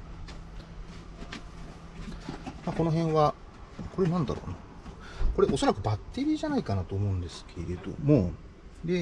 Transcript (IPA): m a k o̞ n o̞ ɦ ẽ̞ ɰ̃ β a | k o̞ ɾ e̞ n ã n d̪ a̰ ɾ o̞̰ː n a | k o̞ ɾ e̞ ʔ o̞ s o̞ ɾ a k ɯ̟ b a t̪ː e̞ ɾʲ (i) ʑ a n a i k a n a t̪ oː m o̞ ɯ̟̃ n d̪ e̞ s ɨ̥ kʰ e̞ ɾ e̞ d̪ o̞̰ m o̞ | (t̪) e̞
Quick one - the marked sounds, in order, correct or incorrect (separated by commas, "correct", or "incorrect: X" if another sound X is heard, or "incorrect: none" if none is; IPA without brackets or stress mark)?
incorrect: iː, incorrect: d̪